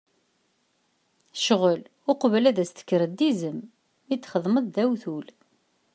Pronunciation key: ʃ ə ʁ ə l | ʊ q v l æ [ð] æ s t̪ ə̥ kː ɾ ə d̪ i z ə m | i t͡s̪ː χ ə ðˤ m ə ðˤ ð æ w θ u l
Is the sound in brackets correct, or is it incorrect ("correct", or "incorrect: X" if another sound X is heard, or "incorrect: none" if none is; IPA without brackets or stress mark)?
correct